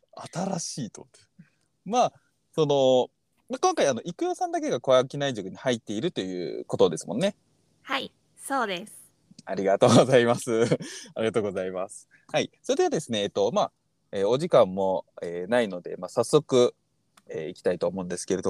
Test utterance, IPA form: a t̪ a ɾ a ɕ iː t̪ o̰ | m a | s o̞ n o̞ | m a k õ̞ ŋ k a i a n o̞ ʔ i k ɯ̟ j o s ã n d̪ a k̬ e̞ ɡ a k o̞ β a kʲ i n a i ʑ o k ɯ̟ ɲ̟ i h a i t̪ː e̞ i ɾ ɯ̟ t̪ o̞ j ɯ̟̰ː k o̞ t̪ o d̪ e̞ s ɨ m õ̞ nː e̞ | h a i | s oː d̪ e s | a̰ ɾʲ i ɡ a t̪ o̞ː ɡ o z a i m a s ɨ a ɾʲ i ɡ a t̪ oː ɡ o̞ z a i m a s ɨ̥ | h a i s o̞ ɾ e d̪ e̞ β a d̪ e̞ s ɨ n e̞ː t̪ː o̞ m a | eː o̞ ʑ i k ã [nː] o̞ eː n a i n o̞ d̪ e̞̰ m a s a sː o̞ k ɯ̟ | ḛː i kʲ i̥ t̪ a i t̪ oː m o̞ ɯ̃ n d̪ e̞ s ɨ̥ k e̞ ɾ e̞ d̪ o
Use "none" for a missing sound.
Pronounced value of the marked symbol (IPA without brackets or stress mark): mː